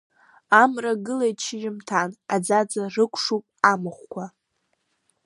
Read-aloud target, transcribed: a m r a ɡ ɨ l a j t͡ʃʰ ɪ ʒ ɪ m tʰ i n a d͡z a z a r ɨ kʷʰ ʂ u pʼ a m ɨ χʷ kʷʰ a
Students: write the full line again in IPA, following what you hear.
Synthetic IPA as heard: a m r a ɡ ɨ l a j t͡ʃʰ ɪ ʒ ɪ m tʰ a n a d͡z a d͡z a r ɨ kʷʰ ʂ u pʼ a m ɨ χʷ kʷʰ a